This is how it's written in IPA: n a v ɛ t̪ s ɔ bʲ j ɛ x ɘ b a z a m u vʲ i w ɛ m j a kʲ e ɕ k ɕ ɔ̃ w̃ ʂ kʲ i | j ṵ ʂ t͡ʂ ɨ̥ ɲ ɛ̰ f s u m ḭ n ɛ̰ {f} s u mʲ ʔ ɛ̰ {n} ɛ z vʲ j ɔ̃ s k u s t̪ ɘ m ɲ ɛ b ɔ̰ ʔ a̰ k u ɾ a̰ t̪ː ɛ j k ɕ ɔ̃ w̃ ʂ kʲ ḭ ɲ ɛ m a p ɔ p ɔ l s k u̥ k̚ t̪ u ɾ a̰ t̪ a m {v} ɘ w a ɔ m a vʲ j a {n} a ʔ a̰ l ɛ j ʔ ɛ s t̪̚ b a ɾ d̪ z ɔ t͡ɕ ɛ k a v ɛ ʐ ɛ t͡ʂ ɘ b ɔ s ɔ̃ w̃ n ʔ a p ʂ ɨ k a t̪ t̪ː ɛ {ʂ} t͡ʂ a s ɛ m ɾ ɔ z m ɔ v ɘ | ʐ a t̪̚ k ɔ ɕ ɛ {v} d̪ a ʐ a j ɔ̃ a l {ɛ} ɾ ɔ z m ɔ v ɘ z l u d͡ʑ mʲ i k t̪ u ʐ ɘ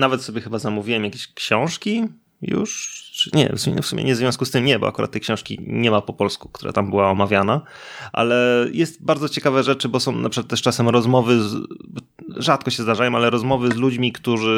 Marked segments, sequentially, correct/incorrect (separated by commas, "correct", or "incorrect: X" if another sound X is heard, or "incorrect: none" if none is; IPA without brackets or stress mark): correct, incorrect: ɲ, incorrect: b, correct, correct, incorrect: z, correct